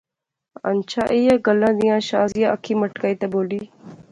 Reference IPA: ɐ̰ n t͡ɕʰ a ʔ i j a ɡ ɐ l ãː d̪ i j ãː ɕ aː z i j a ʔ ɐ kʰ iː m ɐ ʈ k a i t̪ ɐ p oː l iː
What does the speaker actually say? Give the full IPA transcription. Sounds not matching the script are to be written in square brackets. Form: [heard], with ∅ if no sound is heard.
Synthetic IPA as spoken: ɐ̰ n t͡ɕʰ a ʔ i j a ɡ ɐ l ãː d̪ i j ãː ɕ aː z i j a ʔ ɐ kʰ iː m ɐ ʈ k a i t̪ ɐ [b] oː l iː